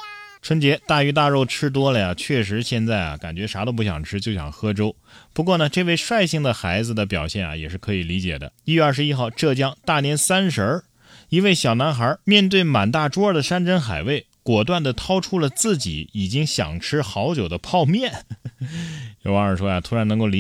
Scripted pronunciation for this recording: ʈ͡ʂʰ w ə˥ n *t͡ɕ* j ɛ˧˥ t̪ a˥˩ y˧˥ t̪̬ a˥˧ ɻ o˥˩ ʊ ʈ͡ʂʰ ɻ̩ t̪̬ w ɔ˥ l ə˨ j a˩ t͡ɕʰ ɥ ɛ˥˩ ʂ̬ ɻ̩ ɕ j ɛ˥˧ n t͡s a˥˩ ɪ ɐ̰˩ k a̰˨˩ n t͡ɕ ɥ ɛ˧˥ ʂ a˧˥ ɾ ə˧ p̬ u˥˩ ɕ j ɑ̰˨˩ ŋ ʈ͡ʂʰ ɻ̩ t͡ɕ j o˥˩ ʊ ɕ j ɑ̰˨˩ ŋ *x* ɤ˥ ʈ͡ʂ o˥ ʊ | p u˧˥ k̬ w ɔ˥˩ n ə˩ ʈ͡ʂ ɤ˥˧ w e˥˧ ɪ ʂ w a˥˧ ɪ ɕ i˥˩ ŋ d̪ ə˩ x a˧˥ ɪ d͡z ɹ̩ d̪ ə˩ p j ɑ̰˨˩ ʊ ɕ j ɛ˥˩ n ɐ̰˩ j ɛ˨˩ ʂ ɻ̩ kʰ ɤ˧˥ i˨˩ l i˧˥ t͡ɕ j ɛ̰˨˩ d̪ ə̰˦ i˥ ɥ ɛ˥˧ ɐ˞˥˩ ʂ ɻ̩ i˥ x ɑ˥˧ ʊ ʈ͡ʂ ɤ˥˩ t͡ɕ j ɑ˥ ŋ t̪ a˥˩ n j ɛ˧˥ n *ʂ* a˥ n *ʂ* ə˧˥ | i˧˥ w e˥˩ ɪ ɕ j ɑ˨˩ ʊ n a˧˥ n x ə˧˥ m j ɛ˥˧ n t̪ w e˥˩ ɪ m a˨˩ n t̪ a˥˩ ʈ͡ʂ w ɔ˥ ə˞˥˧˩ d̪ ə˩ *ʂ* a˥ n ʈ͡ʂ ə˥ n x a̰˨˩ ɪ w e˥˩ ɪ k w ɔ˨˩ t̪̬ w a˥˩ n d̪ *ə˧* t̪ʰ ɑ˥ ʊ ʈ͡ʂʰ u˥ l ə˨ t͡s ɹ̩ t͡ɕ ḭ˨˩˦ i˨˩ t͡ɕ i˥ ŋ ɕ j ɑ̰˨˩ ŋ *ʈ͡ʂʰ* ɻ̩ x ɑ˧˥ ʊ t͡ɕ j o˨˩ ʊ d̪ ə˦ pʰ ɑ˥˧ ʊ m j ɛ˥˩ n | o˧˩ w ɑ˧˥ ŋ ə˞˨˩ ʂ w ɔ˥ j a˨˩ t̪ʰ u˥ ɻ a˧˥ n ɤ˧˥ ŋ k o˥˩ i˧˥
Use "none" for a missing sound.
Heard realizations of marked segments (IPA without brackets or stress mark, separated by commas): t͡ɕ, x, s, ʂ, ʂ, ə˩, ʈ͡ʂʰ